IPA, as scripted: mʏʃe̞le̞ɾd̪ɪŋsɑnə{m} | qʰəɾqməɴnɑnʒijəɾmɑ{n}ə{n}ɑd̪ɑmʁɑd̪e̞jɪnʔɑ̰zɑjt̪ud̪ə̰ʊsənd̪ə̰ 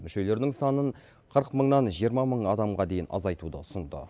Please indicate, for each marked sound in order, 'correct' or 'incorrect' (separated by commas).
incorrect, incorrect, incorrect